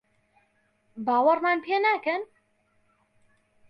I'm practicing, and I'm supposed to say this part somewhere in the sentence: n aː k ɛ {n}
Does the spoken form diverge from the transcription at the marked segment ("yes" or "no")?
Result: no